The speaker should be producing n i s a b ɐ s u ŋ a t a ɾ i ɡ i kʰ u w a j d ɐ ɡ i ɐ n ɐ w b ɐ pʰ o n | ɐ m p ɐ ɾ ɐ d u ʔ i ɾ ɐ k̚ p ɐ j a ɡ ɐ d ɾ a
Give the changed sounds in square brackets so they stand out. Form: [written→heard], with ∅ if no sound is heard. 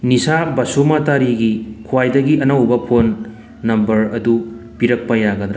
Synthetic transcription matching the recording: n i s a b ɐ s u [ŋ→m] a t a ɾ i ɡ i kʰ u w a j d ɐ ɡ i ɐ n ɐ w b ɐ pʰ o [n→nː] | ɐ m [p→b] ɐ ɾ ɐ d u [ʔ→p] i ɾ ɐ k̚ p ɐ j a ɡ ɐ d ɾ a